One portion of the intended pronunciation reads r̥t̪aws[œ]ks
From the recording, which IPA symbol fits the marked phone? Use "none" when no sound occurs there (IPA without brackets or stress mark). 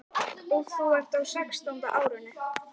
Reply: ɛ